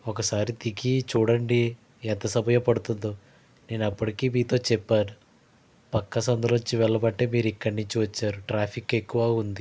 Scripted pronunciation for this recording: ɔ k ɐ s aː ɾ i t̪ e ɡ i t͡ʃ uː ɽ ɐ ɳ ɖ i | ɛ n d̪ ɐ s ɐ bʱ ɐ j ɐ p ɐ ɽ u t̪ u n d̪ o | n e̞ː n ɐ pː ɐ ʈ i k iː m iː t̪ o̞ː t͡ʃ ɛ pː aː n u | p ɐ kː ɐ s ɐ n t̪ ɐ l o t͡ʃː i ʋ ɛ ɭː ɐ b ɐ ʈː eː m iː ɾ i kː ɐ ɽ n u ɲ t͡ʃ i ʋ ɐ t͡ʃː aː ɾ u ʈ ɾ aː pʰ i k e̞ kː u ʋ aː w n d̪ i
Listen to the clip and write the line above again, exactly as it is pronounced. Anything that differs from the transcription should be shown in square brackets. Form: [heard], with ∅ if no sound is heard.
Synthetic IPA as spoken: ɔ k ɐ s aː ɾ i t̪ [i] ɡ i t͡ʃ uː ɽ ɐ ɳ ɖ i | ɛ n [t̪] ɐ s ɐ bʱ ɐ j ɐ p ɐ ɽ u t̪ u n d̪ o | n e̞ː n ɐ pː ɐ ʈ i k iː m iː t̪ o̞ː t͡ʃ ɛ pː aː n u | p ɐ kː ɐ s ɐ n [d̪] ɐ l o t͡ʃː i ʋ ɛ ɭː ɐ b ɐ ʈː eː m iː ɾ i kː ɐ ɽ n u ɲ t͡ʃ i ʋ ɐ t͡ʃː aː ɾ u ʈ ɾ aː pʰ i k e̞ kː u ʋ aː [u] n d̪ i

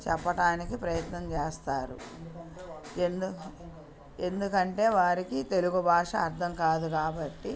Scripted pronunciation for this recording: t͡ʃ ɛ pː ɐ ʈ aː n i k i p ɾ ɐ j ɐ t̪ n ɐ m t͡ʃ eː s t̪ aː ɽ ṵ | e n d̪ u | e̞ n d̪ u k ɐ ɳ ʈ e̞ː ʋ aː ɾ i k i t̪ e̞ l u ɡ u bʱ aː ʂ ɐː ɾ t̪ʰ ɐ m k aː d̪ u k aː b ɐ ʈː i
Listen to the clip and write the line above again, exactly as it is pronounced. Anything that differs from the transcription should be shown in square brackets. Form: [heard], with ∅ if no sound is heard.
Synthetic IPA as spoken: t͡ʃ ɛ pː ɐ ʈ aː n i k i p ɾ ɐ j ɐ t̪ n ɐ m t͡ʃ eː s t̪ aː [ɾ] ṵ | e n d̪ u | e̞ n d̪ u k ɐ ɳ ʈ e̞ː ʋ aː ɾ i k i t̪ e̞ l u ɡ u bʱ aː ʂ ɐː ɾ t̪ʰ ɐ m k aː d̪ u k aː b ɐ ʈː i

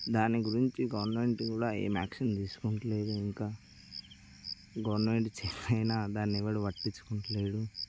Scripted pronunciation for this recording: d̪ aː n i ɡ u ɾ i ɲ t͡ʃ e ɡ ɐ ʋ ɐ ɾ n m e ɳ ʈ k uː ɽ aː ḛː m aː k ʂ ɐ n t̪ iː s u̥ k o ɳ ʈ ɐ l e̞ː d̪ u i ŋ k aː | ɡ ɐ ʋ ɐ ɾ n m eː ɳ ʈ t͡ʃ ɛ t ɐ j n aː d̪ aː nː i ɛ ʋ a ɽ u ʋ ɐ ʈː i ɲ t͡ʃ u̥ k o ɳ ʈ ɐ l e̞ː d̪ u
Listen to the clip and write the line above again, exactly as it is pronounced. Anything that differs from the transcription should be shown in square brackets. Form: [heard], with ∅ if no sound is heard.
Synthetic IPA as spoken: d̪ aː n i ɡ u ɾ i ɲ t͡ʃ [i] ɡ ɐ ʋ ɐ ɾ n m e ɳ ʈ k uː ɽ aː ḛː m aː k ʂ ɐ n t̪ iː s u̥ k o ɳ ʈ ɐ l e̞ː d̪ u i ŋ k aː | ɡ ɐ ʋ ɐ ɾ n m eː ɳ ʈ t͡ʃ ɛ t ɐ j n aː d̪ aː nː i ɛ ʋ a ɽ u ʋ ɐ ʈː i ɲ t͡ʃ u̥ k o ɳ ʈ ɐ l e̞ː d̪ u

